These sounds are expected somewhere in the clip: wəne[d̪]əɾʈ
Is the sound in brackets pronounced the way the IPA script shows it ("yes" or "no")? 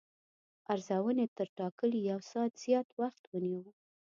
no